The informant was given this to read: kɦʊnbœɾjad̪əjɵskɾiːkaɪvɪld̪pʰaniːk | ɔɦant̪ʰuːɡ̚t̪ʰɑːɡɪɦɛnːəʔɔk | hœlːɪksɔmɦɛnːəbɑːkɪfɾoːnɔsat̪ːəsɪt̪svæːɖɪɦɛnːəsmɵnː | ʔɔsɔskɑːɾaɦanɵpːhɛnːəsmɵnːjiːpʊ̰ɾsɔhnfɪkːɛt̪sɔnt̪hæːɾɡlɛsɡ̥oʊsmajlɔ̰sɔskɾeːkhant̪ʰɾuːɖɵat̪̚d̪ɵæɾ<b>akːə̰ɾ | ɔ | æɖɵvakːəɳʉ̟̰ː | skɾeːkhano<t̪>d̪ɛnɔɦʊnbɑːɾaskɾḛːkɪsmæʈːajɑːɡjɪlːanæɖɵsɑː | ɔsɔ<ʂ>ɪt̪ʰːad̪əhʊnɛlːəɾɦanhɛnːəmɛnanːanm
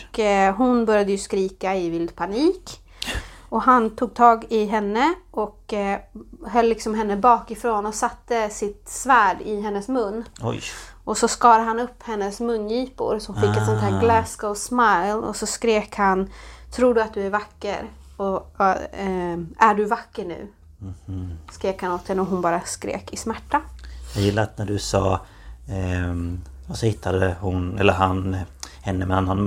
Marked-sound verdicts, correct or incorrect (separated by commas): incorrect, correct, incorrect